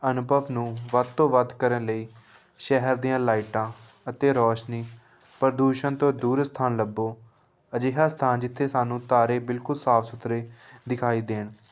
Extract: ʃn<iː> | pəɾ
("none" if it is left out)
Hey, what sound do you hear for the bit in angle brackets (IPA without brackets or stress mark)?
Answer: iː